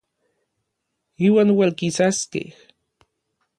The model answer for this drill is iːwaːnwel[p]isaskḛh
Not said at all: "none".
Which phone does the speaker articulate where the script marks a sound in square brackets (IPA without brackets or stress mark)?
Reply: k